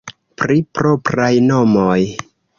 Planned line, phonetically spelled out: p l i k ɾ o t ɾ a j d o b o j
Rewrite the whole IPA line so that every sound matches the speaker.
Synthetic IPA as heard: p ɾ i p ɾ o p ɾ a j n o m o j